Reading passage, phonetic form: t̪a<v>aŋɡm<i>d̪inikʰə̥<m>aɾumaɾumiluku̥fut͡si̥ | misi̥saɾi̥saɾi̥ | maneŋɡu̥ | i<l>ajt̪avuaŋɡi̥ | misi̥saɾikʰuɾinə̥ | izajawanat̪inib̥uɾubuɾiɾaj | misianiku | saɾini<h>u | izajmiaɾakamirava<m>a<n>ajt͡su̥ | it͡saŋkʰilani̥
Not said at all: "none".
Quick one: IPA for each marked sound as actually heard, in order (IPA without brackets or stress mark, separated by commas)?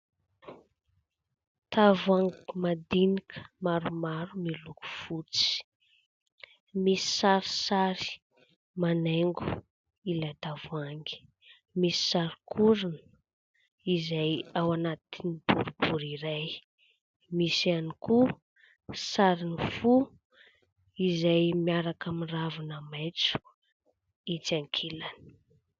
v, a, m, l, f, n, m